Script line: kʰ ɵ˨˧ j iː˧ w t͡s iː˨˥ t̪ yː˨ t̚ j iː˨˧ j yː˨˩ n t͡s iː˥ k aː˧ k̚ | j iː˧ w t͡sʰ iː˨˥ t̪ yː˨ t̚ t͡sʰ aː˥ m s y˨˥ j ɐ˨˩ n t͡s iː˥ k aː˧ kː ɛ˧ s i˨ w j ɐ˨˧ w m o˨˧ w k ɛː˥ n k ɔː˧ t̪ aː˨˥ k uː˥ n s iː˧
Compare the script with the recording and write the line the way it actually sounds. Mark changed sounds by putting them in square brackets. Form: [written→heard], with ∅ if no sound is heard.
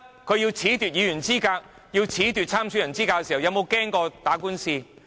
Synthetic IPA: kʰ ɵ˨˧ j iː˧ w [t͡s→t͡sʰ] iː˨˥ t̪ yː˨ t̚ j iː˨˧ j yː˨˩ n t͡s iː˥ k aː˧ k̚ | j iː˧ w t͡sʰ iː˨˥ t̪ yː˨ t̚ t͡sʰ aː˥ m s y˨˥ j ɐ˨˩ n t͡s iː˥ k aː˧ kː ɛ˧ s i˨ w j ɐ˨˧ w m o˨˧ w k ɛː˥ [n→ŋ] k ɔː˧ t̪ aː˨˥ k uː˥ n s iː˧

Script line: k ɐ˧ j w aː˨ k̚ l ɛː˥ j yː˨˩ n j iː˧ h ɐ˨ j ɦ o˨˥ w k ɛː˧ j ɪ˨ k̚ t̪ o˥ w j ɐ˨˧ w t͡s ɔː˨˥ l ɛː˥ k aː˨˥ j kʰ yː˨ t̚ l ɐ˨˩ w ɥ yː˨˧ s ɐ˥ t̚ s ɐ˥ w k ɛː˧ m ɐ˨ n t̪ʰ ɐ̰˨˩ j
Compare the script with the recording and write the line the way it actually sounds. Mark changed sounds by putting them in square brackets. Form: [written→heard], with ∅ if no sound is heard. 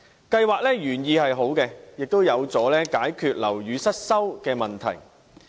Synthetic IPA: k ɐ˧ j w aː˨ k̚ l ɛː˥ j yː˨˩ n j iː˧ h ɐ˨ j ɦ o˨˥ w k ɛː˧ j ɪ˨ k̚ t̪ o˥ w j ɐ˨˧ w t͡s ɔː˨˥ l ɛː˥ k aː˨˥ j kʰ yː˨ t̚ l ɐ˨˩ w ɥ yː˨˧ s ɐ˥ t̚ s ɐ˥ w k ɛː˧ m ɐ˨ n t̪ʰ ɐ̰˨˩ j

